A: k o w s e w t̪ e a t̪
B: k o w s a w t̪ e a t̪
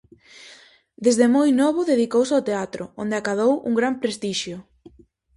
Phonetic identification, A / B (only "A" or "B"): B